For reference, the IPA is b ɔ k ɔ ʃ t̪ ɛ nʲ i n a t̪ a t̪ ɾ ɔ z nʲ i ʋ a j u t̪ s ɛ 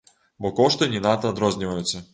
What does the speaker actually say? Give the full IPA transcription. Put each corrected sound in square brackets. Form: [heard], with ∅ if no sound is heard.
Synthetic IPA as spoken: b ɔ k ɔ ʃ t̪ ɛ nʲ i n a t̪ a [d̪] ɾ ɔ z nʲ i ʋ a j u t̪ s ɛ